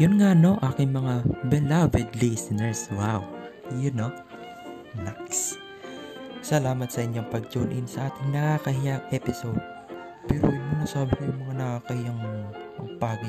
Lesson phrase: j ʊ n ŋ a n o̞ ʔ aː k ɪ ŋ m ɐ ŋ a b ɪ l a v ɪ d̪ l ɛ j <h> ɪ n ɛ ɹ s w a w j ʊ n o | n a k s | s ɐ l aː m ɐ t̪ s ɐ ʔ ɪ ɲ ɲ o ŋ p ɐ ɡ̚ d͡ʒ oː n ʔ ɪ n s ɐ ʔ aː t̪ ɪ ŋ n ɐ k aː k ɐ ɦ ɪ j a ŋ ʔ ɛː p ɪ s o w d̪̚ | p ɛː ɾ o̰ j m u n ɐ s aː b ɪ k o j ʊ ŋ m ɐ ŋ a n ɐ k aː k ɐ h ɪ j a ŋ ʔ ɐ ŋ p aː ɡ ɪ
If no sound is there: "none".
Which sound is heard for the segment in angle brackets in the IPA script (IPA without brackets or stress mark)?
s